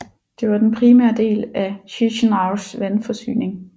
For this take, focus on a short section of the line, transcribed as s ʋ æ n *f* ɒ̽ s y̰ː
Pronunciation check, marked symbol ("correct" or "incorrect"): correct